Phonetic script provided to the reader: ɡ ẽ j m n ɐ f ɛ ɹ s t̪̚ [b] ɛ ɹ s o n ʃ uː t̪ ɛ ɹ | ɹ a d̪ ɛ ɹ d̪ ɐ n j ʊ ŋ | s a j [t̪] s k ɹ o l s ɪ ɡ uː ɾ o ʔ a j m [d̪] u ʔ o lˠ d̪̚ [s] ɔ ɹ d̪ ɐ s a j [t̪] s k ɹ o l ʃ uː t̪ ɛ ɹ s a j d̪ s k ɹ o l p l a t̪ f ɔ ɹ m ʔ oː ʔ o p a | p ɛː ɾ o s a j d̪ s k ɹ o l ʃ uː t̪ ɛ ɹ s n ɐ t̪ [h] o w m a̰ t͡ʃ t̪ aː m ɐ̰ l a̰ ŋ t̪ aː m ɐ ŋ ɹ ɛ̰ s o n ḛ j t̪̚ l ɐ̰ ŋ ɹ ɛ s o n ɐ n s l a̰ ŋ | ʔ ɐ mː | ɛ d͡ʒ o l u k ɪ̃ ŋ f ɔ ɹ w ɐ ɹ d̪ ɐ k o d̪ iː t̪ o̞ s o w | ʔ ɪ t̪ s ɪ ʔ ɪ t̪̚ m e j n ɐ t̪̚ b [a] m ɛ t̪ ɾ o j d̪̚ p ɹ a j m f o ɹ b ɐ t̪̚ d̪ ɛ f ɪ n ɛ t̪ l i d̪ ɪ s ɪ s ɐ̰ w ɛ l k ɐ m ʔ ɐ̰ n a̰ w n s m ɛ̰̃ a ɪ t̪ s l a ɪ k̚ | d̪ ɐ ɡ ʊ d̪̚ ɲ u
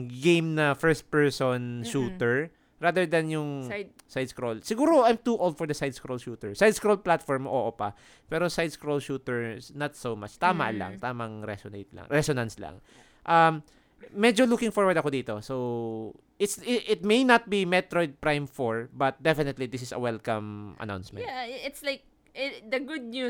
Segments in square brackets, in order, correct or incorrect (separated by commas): incorrect, incorrect, incorrect, incorrect, incorrect, incorrect, incorrect